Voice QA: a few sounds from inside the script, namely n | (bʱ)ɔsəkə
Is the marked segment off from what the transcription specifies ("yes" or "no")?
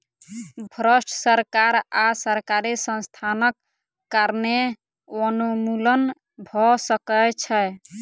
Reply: no